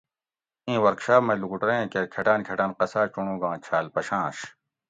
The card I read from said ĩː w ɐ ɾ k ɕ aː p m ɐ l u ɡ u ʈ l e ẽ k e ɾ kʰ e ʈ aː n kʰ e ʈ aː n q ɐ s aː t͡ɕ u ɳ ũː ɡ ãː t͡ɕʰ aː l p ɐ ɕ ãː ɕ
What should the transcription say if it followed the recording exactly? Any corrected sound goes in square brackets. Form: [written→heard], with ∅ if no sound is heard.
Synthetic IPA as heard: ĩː w ɐ ɾ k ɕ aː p m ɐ l u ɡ u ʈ [l→ɾ] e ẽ k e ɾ kʰ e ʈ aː n kʰ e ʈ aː n q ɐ s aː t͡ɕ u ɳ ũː ɡ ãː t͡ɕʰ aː l p ɐ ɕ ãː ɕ

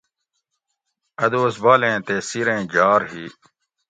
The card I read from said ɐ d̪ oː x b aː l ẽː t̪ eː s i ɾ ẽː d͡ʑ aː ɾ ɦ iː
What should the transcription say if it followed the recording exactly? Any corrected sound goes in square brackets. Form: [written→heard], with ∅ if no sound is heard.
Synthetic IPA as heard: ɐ d̪ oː [x→s] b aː l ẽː t̪ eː s i ɾ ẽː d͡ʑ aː ɾ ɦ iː

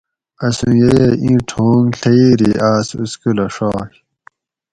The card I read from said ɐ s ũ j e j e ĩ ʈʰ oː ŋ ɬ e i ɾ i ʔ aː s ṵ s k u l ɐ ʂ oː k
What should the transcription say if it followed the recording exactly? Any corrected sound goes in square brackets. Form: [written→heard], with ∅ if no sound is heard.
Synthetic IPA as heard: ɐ s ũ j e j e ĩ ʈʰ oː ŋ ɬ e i ɾ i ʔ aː s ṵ s k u l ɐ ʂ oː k

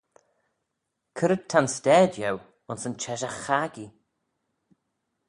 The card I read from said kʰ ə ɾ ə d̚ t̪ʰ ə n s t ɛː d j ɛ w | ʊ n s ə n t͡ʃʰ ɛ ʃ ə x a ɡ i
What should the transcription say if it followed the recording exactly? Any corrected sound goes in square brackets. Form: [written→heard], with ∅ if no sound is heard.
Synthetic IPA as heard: kʰ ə ɾ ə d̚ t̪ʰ [ə→a] n s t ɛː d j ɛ w | ʊ n s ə n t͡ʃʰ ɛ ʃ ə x a ɡ i

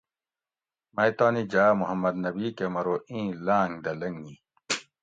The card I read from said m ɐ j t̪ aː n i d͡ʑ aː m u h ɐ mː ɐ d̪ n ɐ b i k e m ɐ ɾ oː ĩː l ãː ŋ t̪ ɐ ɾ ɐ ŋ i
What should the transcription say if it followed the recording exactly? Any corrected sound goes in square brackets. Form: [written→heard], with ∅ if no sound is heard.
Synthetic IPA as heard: m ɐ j t̪ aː n i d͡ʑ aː m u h ɐ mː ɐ d̪ n ɐ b i k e m ɐ ɾ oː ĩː l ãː ŋ [t̪→d̪] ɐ [ɾ→l] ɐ ŋ i

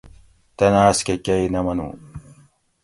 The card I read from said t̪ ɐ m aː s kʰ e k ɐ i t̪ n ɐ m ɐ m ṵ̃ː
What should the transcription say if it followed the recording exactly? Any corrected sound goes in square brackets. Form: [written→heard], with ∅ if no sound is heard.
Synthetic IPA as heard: t̪ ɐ [m→n] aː s [kʰ→k] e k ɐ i [t̪→∅] n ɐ m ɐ [m→n] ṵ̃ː

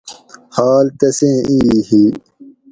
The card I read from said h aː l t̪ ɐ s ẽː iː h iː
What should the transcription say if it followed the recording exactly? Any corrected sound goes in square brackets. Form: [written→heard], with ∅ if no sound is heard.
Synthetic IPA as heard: h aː l t̪ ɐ s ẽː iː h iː

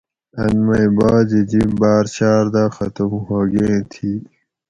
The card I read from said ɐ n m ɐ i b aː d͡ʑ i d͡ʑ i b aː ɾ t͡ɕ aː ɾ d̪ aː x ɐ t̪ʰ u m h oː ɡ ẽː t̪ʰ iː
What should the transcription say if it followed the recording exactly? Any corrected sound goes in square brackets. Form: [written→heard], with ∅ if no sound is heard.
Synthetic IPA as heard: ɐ n m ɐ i b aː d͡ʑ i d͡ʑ i b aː ɾ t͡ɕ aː ɾ d̪ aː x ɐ [t̪ʰ→t̪] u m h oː ɡ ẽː t̪ʰ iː

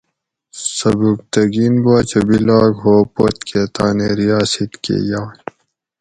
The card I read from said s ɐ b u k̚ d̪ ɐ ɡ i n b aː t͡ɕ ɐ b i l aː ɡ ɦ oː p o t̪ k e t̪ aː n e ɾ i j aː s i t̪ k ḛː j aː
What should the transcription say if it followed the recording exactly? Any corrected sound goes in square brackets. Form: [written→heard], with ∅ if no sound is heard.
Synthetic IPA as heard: s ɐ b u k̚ [d̪→t̪] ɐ ɡ i n b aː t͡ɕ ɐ b i l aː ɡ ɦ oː p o t̪ k e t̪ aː n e ɾ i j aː s i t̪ k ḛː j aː

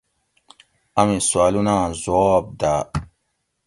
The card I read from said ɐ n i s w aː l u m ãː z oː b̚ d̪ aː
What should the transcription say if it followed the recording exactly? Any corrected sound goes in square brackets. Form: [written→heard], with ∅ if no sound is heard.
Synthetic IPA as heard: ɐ [n→m] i s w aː l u [m→n] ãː z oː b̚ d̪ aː

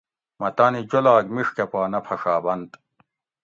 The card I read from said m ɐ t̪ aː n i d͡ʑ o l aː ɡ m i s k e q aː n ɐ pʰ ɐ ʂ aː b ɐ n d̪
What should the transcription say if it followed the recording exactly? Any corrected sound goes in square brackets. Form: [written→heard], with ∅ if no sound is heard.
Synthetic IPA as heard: m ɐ t̪ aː n i d͡ʑ o l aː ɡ m i [s→ʂ] k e [q→p] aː n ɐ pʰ ɐ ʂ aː b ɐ n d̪

